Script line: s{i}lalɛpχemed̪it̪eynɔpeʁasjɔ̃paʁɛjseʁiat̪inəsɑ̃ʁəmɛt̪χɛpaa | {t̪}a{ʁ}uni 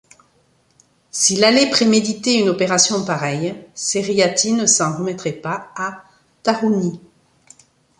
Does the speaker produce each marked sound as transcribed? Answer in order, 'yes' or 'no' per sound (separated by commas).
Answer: yes, yes, yes